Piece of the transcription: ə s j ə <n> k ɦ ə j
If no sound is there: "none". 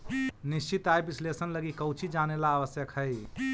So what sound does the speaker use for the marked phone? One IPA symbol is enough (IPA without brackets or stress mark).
none